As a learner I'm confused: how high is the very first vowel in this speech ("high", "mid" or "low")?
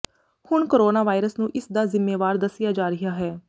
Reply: high